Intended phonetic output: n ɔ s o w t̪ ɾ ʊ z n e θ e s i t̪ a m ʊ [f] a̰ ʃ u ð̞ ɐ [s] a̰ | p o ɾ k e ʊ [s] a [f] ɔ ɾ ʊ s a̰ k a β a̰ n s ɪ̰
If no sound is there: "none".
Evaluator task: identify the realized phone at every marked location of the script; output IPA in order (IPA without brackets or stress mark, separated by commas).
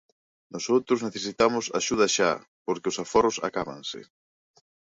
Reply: s, ʃ, s, f